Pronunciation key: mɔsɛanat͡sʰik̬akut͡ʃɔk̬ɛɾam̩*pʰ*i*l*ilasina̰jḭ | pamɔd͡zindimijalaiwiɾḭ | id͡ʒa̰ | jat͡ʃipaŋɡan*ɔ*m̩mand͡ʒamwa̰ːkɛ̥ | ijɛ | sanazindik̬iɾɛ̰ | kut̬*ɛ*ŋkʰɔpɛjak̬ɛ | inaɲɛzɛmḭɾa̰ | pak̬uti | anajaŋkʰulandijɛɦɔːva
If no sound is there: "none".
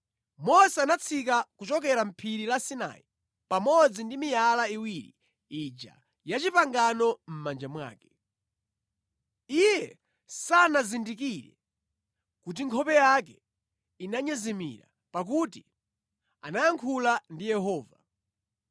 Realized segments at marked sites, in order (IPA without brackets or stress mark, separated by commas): pʰ, ɾ, ɔ, i